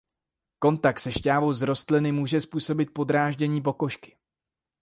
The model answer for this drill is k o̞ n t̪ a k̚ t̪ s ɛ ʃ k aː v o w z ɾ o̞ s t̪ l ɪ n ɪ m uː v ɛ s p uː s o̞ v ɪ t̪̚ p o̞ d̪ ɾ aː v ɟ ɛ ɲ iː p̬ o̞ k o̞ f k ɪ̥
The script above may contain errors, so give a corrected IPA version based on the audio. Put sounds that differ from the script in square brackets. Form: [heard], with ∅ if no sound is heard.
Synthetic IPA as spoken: k o̞ n t̪ a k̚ t̪ s ɛ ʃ [c] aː v o w z ɾ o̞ s t̪ l ɪ n ɪ m uː [ʒ] ɛ s p uː s o̞ [b] ɪ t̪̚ p o̞ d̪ ɾ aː [ʒ] ɟ ɛ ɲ iː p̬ o̞ k o̞ [ʃ] k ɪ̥